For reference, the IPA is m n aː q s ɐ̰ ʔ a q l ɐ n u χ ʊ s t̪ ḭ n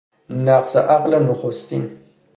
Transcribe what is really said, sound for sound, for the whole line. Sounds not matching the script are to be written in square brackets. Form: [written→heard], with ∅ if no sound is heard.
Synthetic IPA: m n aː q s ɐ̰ ʔ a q l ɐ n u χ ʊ s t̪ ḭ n

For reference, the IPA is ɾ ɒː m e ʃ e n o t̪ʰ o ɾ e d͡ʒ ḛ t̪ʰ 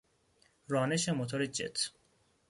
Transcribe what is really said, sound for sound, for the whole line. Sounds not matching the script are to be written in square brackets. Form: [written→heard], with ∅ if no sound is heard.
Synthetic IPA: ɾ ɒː [m→n] e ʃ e [n→m] o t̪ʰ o ɾ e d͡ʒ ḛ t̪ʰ

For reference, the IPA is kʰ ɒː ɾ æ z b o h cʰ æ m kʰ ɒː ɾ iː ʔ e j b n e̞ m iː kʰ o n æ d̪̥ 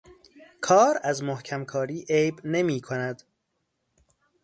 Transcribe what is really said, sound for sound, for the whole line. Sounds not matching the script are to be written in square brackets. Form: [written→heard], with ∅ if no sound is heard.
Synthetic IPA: kʰ ɒː ɾ æ z [b→m] o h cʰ æ m kʰ ɒː ɾ iː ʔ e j b n e̞ m iː kʰ o n æ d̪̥

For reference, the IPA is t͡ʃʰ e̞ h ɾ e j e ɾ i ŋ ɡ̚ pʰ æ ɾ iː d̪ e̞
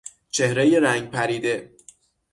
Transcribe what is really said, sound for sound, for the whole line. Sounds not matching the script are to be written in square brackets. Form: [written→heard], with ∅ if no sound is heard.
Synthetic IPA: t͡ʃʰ e̞ h ɾ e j e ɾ [i→æ] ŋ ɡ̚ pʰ æ ɾ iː d̪ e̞

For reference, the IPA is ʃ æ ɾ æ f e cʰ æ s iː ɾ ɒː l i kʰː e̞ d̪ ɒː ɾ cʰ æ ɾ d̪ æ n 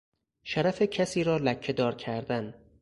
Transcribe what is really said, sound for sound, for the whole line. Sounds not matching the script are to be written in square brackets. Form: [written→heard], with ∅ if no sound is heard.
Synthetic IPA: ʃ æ ɾ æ f e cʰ æ s iː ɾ ɒː l [i→æ] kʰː e̞ d̪ ɒː ɾ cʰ æ ɾ d̪ æ n

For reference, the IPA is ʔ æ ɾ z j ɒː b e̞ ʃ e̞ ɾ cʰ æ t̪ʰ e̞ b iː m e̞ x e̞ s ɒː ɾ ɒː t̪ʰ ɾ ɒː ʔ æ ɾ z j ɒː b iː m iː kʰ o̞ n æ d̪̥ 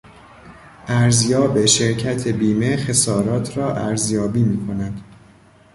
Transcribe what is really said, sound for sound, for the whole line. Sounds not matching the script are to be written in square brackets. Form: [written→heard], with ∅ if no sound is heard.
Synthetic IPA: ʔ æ ɾ z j ɒː b e̞ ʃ e̞ ɾ cʰ æ t̪ʰ e̞ b iː m e̞ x e̞ s ɒː ɾ ɒː t̪ʰ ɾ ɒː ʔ æ ɾ z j ɒː b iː m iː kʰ o̞ n æ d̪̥

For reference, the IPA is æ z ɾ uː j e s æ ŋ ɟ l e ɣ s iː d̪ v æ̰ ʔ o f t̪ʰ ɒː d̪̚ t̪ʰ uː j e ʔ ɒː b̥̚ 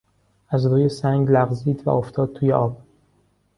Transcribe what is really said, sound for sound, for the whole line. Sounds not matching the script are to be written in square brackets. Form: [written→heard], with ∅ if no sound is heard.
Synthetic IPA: æ z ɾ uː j e s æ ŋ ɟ l [e→æ] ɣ [s→z] iː d̪ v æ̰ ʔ o f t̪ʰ ɒː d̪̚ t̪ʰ uː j e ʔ ɒː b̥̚

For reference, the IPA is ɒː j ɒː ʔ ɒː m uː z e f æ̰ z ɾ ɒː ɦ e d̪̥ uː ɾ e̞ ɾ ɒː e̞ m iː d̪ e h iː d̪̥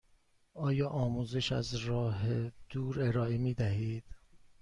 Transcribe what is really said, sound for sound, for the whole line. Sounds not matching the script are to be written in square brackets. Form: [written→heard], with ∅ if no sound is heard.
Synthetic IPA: ɒː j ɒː ʔ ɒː m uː z e [f→ʃ] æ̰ z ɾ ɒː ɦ e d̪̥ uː ɾ e̞ ɾ ɒː e̞ m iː d̪ [e→æ] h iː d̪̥

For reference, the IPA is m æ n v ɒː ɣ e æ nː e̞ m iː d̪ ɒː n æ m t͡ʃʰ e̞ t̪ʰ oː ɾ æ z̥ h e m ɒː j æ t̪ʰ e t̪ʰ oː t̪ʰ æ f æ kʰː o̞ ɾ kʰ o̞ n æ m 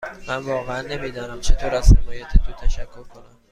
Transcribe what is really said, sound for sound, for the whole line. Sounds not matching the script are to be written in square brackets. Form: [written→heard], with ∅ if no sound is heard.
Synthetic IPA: m æ n v ɒː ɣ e æ nː e̞ m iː d̪ ɒː n æ m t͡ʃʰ e̞ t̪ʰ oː ɾ æ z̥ h e m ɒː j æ t̪ʰ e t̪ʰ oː t̪ʰ æ [f→ʃ] æ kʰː o̞ ɾ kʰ o̞ n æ m

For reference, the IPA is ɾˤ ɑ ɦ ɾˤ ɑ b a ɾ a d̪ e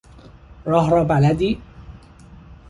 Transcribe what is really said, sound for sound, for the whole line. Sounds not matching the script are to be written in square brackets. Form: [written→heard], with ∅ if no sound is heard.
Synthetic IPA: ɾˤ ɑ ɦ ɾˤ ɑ b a [ɾ→l] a d̪ [e→i]

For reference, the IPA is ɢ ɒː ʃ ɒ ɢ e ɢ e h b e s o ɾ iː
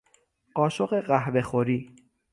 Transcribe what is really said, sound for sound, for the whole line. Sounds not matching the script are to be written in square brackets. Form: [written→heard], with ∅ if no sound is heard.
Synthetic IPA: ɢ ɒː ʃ [ɒ→o] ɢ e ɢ [e→æ] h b e [s→x] o ɾ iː

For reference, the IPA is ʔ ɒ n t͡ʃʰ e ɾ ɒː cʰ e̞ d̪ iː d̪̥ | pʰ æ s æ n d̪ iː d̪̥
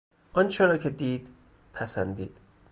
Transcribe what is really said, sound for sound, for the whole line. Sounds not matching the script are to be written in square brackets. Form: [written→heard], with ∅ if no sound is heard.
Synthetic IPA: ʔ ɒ n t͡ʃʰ e ɾ ɒː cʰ e̞ d̪ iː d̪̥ | pʰ æ s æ n d̪ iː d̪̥

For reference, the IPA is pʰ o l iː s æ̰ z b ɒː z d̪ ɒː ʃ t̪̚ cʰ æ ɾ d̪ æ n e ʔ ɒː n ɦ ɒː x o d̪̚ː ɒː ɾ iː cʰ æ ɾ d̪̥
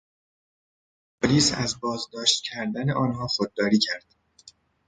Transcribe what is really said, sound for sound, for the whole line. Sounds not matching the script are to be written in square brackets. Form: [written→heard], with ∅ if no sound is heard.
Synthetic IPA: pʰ o l iː s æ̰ z b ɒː z d̪ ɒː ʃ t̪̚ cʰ æ ɾ d̪ æ n e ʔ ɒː n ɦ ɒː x o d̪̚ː ɒː ɾ iː cʰ æ ɾ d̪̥

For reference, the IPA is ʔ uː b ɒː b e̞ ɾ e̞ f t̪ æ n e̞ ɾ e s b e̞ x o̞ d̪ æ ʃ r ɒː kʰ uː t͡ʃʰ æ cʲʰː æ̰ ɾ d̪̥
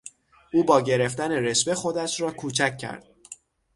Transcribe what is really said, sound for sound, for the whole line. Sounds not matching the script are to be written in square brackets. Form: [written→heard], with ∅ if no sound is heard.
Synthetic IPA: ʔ uː b ɒː [b→ɟ] e̞ ɾ e̞ f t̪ æ n e̞ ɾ e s b e̞ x o̞ d̪ æ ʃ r ɒː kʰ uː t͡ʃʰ æ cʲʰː æ̰ ɾ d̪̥

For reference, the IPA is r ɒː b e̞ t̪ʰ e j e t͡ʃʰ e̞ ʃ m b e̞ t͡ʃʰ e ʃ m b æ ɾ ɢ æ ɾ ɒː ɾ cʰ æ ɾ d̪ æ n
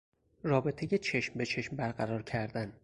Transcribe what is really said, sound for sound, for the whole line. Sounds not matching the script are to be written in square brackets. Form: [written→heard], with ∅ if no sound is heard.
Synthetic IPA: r ɒː b e̞ t̪ʰ e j e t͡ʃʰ e̞ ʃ m b e̞ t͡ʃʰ e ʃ m b æ ɾ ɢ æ ɾ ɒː ɾ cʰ æ ɾ d̪ æ n

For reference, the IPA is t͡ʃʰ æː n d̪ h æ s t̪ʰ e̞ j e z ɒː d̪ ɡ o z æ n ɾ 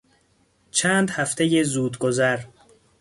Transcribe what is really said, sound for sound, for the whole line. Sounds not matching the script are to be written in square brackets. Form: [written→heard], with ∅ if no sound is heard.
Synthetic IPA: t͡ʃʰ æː n d̪ h æ [s→f] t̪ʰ e̞ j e z [ɒː→uː] d̪ ɡ o z æ [n→∅] ɾ

